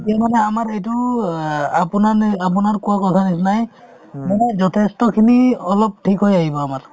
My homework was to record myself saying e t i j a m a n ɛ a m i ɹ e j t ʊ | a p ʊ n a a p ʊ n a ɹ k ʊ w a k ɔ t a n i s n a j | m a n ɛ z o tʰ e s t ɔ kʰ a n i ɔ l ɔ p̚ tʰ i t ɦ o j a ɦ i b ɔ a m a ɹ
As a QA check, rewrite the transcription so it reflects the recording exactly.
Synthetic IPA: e t i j a m a n ɛ a m a ɹ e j t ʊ | a p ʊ n a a p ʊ n a ɹ k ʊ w a k ɔ tʰ a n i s n a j | m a n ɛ z ɔ tʰ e s t ɔ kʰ i n i ɔ l ɔ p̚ tʰ i k ɦ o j a ɦ i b ɔ a m a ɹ